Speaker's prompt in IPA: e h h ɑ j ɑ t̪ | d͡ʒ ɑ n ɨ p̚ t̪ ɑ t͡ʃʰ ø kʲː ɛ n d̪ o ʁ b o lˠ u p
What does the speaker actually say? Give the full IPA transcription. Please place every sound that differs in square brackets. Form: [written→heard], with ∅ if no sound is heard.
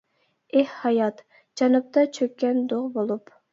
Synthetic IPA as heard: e h h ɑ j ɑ t̪ | d͡ʒ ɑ n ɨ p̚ t̪ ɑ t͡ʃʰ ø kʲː ɛ n d̪ o ʁ b o lˠ u p

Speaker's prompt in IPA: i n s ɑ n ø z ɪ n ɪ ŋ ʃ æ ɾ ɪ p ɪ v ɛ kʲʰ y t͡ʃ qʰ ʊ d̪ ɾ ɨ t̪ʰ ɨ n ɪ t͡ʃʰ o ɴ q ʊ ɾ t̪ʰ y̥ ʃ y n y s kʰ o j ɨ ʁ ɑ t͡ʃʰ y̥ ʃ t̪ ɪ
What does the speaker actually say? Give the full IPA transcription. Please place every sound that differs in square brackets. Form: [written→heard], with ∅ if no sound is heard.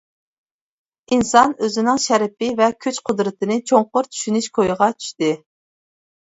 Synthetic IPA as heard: i n s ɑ n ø z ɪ n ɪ ŋ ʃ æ ɾ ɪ p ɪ v ɛ kʲʰ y t͡ʃ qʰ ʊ d̪ ɾ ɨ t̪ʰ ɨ n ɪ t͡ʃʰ o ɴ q ʊ ɾ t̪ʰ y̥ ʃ y n y [s→ʃ] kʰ o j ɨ ʁ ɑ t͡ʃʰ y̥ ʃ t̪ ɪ

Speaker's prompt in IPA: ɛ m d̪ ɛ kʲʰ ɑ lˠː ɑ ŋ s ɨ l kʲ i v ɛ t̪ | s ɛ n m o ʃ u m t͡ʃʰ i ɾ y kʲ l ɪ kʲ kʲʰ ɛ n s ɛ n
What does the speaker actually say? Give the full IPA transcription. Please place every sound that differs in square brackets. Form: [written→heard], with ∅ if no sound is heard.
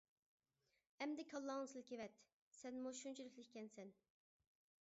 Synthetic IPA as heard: ɛ m d̪ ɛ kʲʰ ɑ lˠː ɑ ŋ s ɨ l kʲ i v ɛ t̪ | s ɛ n m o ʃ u [m→n] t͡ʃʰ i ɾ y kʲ l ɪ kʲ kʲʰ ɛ n s ɛ n

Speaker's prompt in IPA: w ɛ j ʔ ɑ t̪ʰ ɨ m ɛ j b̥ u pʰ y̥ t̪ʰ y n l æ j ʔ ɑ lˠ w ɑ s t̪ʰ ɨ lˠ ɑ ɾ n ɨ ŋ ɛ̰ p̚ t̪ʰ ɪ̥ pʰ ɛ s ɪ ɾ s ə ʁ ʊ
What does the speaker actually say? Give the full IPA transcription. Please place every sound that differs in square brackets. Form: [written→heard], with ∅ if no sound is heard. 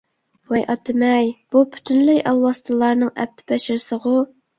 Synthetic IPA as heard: w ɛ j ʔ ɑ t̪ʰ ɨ m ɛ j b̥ u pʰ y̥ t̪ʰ y n l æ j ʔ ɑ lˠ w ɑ s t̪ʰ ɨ lˠ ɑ ɾ n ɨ ŋ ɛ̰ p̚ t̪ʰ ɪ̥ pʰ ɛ [s→ʃ] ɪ ɾ s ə ʁ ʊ

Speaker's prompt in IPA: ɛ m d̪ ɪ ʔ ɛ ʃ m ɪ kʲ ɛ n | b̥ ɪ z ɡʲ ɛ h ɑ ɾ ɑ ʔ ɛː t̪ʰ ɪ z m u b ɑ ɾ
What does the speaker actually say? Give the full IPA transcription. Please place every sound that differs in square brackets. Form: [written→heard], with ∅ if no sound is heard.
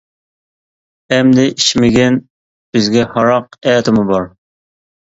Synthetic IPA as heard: ɛ m d̪ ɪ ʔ [ɛ→i] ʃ m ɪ [kʲ→ɡʲ] ɛ n | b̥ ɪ z ɡʲ ɛ h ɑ ɾ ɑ [ʔ→q] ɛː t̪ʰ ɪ [z→∅] m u b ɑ ɾ

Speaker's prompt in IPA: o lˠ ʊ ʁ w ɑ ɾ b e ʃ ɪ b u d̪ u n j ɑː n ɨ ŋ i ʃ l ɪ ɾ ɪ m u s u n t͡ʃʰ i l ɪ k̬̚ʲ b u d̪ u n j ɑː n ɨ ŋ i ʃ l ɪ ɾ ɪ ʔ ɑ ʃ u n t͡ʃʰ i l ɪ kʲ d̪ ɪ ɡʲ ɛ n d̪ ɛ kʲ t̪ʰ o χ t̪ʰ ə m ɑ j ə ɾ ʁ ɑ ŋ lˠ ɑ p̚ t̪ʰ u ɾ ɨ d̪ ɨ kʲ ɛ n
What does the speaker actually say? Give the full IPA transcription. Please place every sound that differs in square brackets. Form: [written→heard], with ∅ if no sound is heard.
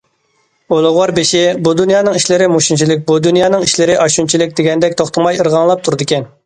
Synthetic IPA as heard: o lˠ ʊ ʁ w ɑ ɾ b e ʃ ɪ b u d̪ u n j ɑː n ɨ ŋ i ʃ l ɪ ɾ ɪ m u [s→ʃ] u n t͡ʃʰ i l ɪ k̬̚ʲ b u d̪ u n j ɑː n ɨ ŋ i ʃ l ɪ ɾ ɪ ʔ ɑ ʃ u n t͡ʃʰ i l ɪ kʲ d̪ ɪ ɡʲ ɛ n d̪ ɛ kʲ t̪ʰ o χ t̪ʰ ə m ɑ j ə ɾ ʁ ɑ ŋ lˠ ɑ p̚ t̪ʰ u ɾ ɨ d̪ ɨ kʲ ɛ n

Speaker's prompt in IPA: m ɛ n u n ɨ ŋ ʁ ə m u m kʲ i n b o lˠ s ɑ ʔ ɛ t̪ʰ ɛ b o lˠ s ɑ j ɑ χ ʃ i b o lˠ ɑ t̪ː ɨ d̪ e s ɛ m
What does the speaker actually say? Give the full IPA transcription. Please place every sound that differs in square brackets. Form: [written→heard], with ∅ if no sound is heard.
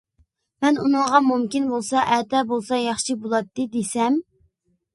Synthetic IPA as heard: m ɛ n u n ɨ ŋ ʁ [ə→ɑ] m u m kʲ i n b o lˠ s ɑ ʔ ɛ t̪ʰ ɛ b o lˠ s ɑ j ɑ χ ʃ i b o lˠ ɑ t̪ː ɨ d̪ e s ɛ m

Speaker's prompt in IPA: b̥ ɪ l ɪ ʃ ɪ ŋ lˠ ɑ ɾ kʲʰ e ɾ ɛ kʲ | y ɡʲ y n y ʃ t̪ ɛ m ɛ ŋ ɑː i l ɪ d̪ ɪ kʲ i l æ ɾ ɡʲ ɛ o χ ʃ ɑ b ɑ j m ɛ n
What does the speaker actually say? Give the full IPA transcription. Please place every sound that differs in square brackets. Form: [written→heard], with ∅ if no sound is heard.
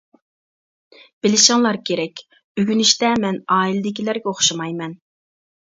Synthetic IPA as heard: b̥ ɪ l ɪ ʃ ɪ ŋ lˠ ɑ ɾ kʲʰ e ɾ ɛ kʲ | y ɡʲ y n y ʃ t̪ ɛ m ɛ [ŋ→n] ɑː i l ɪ d̪ ɪ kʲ i l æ ɾ ɡʲ ɛ o χ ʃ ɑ [b→m] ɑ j m ɛ n

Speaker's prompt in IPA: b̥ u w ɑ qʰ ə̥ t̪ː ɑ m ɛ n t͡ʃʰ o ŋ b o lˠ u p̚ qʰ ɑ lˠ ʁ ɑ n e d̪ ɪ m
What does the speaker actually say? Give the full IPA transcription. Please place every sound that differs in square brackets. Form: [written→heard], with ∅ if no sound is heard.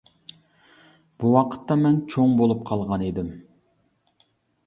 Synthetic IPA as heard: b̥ u w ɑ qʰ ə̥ t̪ː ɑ m ɛ n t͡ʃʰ o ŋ b o lˠ u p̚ qʰ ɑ lˠ ʁ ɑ n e d̪ ɪ m

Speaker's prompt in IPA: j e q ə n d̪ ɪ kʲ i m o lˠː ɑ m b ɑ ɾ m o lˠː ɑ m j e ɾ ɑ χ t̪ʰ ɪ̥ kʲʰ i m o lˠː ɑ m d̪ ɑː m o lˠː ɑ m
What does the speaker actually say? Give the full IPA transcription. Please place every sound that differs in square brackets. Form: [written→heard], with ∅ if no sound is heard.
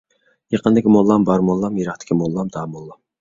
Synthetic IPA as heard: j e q ə n d̪ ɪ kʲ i m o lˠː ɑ m b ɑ ɾ m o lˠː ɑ m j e ɾ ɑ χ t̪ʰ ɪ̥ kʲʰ i m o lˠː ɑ m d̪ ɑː m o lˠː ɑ m

